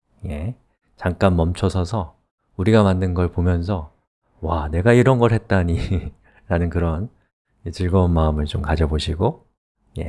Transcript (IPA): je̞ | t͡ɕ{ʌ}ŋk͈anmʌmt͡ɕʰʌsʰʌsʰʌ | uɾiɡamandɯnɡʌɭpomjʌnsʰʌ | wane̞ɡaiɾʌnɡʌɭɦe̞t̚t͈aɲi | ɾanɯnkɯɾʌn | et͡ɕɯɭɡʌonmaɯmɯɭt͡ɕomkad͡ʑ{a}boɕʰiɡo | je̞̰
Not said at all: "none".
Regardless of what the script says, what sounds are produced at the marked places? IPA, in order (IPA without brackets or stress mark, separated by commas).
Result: a, ʌ